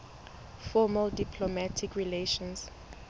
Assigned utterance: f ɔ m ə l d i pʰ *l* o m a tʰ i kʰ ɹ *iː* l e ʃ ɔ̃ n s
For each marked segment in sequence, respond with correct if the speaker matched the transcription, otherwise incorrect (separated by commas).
correct, incorrect